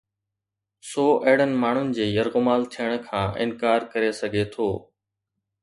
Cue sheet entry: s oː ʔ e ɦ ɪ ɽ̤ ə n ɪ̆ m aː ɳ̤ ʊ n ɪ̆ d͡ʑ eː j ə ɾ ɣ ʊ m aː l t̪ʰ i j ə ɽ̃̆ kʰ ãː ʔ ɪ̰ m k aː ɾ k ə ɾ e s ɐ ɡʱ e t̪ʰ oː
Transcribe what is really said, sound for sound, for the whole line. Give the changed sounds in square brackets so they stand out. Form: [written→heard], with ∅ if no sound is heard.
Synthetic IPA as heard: s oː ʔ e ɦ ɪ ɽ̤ ə n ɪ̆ m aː ɳ̤ ʊ n ɪ̆ d͡ʑ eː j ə ɾ ɣ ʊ m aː l t̪ʰ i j ə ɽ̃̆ kʰ ãː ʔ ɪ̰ [m→n] k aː ɾ k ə ɾ e s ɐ ɡʱ e t̪ʰ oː